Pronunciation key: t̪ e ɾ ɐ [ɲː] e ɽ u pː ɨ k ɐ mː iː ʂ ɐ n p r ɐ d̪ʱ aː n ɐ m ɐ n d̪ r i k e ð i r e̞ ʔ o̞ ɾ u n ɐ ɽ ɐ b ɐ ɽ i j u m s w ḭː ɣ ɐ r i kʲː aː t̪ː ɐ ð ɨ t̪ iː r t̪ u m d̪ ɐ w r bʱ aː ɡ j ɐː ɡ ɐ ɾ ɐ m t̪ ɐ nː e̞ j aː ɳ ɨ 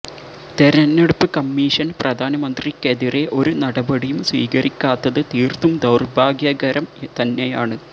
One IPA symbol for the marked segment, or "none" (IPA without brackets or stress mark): nː